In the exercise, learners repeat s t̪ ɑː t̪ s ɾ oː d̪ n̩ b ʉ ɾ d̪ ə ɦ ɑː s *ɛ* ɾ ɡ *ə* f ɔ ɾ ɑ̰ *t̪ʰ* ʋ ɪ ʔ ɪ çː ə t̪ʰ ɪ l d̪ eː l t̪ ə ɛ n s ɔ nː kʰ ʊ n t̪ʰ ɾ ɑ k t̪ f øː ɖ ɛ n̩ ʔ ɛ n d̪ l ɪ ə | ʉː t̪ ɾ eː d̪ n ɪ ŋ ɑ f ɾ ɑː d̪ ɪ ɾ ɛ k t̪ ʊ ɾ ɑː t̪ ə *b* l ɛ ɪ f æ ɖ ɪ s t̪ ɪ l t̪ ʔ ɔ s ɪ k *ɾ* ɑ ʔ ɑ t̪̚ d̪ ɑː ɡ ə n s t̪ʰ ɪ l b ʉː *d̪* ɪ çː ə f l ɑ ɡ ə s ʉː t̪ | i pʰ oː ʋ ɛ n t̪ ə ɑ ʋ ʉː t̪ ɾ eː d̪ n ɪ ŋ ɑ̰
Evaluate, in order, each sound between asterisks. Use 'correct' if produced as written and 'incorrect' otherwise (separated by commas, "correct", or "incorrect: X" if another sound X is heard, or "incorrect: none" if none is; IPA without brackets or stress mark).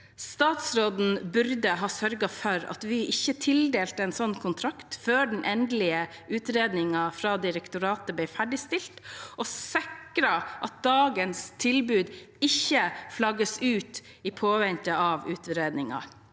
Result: incorrect: œ, incorrect: ɑ, incorrect: t̪, correct, correct, correct